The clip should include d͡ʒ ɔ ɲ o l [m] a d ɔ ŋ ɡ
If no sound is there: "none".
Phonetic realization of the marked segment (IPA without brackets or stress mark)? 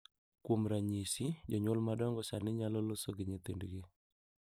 m